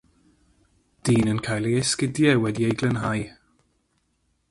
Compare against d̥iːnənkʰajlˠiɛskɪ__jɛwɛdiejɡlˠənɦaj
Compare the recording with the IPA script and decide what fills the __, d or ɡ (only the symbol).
d